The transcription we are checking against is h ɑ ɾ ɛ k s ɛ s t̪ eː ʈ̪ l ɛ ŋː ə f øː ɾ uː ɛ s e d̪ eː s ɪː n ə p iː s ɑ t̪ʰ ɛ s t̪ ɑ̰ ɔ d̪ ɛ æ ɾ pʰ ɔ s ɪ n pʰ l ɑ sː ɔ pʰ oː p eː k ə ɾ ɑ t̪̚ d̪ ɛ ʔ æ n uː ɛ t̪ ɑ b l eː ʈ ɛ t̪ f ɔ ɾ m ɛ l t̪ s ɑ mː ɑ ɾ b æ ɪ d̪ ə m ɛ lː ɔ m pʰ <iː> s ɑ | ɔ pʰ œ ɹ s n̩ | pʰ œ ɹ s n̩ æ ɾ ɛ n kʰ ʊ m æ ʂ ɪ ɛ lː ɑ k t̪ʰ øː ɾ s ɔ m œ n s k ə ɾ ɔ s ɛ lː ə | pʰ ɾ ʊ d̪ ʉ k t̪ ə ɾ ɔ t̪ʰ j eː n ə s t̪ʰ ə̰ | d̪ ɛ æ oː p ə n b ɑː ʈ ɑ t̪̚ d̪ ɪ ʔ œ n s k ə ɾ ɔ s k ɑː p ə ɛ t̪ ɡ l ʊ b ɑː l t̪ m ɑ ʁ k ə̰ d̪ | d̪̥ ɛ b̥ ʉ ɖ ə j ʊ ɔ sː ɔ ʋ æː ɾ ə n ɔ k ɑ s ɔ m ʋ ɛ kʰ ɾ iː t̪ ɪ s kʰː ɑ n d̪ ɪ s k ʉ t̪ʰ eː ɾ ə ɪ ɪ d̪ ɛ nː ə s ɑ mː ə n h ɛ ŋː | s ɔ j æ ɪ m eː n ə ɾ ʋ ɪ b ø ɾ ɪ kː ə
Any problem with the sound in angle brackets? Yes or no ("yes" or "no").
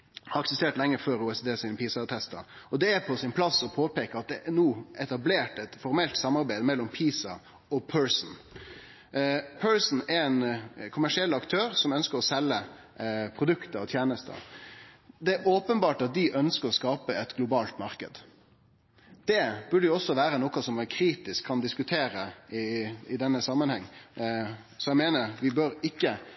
no